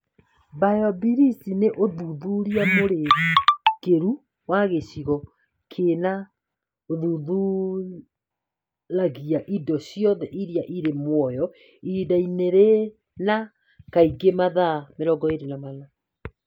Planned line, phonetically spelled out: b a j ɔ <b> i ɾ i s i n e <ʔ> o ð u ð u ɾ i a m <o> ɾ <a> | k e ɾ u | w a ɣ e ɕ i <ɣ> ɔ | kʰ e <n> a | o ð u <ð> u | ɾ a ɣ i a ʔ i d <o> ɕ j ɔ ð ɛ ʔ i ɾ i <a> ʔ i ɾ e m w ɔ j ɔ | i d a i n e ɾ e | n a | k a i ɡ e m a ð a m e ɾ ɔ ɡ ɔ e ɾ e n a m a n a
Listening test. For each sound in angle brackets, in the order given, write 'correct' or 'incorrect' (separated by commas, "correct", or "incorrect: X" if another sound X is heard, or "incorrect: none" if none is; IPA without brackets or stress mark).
correct, correct, correct, incorrect: e, correct, correct, correct, incorrect: ɔ, correct